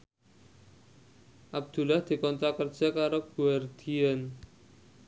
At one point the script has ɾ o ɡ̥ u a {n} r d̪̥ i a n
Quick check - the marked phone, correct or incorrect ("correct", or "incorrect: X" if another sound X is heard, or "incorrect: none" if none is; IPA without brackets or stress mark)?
incorrect: none